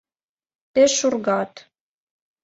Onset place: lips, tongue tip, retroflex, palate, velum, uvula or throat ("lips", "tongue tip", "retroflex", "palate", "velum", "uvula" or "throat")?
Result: lips